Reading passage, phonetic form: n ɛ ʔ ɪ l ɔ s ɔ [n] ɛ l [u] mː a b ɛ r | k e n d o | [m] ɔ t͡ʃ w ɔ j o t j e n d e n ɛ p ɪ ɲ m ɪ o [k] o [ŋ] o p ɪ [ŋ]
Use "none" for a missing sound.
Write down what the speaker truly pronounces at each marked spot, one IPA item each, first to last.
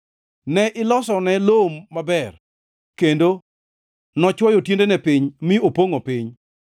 n, o, n, p, ŋ, ɲ

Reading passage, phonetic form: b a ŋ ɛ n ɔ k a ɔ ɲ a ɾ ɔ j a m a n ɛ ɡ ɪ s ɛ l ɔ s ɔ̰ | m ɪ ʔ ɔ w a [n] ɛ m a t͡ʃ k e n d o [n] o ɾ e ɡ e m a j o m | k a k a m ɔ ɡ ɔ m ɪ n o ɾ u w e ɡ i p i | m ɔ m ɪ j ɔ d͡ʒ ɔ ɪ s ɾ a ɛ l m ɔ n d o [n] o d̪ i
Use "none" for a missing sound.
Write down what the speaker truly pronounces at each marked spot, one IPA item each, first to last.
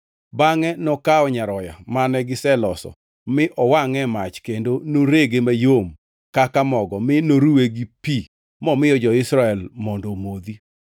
ŋ, n, m

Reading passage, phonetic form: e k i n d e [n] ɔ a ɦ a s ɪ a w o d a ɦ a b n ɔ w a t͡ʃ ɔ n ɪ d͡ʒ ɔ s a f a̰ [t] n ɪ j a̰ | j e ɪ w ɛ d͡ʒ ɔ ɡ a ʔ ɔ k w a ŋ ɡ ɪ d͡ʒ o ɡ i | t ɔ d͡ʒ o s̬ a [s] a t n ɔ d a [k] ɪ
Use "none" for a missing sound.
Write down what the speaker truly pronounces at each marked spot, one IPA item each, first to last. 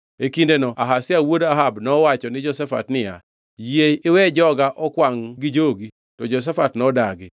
n, t, f, ɡ

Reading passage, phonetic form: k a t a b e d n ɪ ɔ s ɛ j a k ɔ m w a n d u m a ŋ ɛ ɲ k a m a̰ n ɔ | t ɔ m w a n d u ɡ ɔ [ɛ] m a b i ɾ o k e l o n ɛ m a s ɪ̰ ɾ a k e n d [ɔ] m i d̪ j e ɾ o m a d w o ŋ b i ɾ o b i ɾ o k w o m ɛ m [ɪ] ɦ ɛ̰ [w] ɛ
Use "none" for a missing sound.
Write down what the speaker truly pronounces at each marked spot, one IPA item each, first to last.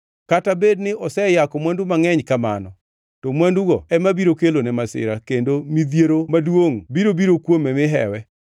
ɛ, o, ɪ, w

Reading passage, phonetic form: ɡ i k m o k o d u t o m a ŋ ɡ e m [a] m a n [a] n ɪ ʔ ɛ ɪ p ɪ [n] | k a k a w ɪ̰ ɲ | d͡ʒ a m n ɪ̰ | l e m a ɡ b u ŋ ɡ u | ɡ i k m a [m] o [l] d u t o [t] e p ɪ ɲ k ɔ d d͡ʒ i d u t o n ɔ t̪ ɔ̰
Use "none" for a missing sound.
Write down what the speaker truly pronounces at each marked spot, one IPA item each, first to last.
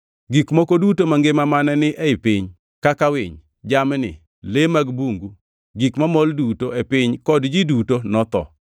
a, ɛ, ɲ, m, l, none

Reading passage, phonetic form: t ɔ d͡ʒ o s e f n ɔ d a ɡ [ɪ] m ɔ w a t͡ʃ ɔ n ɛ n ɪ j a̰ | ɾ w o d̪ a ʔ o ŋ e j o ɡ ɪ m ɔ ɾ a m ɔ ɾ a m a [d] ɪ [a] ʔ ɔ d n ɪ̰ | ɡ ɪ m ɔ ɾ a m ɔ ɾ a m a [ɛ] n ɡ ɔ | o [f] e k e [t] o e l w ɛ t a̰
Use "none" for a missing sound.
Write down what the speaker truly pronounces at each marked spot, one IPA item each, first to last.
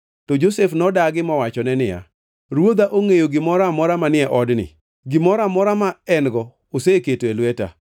ɪ, n, ɛ, ɛ, s, t

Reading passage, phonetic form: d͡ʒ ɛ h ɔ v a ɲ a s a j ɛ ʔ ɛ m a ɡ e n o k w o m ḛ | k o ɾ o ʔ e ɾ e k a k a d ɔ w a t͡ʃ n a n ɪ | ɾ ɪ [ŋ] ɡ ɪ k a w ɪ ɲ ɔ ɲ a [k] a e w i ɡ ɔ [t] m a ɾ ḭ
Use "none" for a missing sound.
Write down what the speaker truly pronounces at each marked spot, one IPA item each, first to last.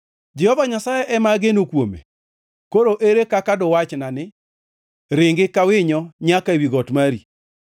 ŋ, k, t

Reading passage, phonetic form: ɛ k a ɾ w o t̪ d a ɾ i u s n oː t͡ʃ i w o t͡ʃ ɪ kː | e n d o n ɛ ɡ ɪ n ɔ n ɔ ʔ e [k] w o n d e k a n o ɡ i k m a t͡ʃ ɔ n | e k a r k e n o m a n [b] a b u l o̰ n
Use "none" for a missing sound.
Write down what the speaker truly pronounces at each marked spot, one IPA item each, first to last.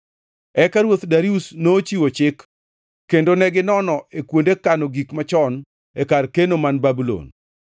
k, b

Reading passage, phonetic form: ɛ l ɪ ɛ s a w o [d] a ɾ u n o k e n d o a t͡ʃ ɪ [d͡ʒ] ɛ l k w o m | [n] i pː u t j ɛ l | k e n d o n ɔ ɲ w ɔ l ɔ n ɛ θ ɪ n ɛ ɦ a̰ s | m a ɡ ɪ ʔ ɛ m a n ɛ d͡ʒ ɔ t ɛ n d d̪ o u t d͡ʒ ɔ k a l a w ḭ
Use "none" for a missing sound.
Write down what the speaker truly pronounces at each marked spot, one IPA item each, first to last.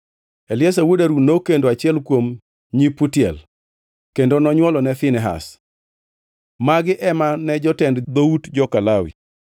d, none, ɲ

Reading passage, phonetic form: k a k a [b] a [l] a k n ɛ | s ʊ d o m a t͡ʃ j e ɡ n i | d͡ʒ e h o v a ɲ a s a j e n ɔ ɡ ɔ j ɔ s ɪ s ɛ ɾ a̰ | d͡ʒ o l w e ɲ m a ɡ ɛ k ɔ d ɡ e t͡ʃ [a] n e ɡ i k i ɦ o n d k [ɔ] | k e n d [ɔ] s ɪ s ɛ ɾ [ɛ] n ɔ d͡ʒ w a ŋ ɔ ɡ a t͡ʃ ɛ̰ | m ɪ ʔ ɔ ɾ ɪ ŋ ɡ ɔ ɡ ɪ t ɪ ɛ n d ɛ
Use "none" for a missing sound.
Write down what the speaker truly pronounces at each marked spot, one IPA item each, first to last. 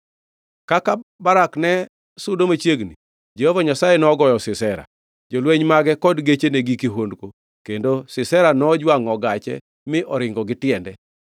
b, ɾ, e, o, o, a

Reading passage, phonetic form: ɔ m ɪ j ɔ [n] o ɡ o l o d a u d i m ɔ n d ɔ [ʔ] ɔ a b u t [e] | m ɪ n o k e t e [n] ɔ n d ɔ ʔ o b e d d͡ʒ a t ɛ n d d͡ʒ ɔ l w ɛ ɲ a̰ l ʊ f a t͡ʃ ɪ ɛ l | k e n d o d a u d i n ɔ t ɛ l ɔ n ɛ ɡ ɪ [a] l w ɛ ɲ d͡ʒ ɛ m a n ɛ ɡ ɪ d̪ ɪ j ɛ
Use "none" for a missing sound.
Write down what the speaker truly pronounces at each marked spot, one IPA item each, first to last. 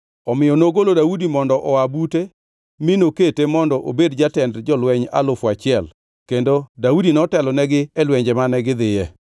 n, ʔ, e, m, ɛ

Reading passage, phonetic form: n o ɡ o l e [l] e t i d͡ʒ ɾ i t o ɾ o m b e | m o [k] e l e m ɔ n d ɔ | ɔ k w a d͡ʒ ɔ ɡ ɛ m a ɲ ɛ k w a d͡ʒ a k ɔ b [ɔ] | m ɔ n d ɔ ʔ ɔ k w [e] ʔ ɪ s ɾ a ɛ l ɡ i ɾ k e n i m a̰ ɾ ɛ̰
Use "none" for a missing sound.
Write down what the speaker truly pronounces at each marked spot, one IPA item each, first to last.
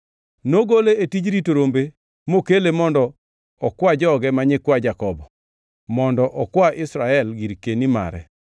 none, k, ɔ, a

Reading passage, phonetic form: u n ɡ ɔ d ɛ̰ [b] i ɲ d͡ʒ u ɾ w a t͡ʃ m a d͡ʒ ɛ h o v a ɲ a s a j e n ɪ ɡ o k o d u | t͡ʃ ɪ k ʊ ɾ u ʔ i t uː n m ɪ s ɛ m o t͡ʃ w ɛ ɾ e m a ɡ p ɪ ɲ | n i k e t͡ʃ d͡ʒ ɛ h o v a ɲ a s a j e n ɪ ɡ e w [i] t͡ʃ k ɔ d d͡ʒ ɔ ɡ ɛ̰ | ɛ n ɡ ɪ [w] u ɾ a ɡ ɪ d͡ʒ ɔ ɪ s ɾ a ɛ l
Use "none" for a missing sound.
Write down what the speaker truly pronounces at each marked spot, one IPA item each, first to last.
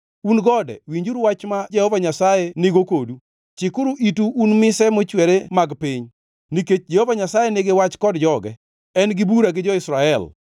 w, a, b

